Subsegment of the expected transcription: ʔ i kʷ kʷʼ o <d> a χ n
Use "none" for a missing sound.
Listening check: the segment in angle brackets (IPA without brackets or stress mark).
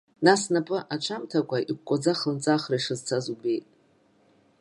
d͡z